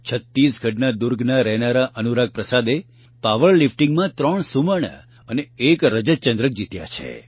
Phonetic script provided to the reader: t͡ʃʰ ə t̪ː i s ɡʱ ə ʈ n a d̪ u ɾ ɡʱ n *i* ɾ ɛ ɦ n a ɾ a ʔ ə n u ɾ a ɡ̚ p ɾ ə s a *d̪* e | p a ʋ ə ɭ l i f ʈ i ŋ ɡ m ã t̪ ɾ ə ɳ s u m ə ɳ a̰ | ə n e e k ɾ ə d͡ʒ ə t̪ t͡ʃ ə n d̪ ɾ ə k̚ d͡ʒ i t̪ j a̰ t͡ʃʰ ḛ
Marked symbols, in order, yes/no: no, yes

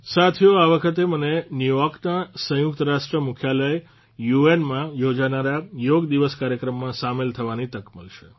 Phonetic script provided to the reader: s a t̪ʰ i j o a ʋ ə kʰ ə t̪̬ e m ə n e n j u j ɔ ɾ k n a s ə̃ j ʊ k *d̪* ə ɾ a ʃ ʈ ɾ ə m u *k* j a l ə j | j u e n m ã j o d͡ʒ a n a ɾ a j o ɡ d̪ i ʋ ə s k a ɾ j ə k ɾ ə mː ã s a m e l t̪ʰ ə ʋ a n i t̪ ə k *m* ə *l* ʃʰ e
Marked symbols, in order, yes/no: no, no, yes, yes

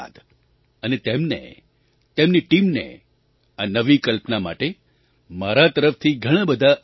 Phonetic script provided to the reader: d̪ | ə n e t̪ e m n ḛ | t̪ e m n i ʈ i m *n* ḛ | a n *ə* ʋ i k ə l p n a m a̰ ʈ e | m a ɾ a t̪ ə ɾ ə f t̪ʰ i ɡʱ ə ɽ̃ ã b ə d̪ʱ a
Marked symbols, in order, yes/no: yes, yes

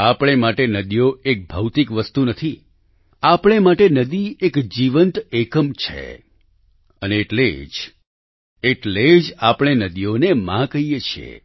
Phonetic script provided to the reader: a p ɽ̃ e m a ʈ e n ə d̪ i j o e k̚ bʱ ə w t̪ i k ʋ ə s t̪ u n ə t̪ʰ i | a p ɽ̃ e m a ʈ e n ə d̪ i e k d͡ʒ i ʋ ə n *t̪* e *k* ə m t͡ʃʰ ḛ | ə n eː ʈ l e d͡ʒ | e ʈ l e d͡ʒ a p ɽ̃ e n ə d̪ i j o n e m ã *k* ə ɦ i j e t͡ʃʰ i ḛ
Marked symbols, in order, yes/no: yes, yes, yes

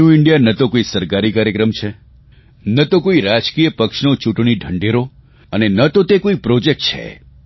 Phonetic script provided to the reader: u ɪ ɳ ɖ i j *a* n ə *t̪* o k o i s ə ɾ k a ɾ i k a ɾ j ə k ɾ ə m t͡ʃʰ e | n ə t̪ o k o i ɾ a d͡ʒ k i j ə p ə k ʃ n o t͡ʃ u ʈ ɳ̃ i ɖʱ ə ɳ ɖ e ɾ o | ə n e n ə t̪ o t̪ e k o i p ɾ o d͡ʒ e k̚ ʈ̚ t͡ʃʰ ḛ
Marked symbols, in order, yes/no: yes, yes

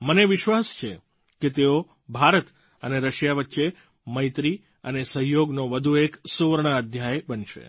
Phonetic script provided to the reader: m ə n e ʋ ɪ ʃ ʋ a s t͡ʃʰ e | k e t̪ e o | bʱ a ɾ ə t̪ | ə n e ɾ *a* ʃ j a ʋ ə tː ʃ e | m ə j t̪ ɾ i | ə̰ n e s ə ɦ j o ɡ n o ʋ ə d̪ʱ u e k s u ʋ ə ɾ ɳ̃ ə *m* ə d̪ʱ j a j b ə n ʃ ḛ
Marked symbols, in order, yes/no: no, no

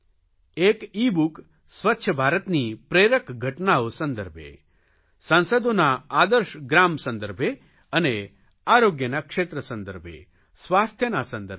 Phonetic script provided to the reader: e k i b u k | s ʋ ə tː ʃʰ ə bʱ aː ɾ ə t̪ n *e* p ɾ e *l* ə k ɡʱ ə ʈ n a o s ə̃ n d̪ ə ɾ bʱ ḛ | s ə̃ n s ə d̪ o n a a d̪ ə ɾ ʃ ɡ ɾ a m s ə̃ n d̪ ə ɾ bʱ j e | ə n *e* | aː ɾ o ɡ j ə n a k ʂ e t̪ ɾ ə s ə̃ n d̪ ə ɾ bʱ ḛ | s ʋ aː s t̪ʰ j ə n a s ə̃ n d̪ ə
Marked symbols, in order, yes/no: no, no, yes

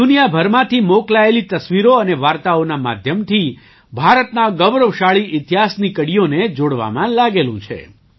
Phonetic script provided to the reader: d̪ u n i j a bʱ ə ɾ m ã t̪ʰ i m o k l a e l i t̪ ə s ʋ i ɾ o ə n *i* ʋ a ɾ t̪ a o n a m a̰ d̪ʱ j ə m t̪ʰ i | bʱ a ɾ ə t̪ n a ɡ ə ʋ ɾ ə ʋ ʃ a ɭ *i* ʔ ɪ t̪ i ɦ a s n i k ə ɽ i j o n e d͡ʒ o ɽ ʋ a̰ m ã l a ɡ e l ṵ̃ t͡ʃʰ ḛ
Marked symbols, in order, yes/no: no, yes

